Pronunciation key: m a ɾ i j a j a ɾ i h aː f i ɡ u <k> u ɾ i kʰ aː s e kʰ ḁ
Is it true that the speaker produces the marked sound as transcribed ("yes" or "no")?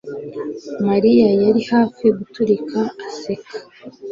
no